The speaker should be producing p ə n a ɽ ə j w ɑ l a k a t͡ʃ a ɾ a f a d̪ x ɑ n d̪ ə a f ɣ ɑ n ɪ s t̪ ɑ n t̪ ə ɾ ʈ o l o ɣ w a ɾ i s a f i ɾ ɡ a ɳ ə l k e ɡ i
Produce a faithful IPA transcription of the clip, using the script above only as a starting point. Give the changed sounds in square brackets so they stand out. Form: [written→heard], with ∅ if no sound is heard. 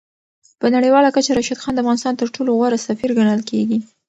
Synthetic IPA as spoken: p ə n a ɽ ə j w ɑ l a k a t͡ʃ a ɾ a [f→ʃ] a d̪ x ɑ n d̪ ə a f ɣ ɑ n ɪ s t̪ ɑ n t̪ ə ɾ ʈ o l o ɣ w a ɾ [i→a] s a f i ɾ ɡ a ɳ ə l k e ɡ i